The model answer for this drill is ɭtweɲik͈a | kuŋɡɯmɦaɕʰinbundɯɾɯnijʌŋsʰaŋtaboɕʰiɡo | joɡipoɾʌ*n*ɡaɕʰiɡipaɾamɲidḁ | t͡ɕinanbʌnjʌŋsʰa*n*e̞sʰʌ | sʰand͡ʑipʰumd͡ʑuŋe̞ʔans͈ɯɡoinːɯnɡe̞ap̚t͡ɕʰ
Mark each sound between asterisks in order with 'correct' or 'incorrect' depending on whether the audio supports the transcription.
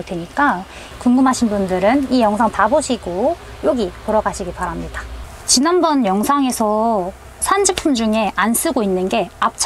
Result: incorrect: none, incorrect: ŋ

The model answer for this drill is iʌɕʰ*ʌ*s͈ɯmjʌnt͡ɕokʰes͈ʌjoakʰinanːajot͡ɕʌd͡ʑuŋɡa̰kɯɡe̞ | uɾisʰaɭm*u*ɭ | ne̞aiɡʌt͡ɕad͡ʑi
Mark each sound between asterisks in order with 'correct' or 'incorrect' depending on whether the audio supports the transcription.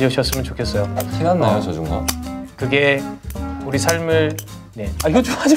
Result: correct, incorrect: ɯ

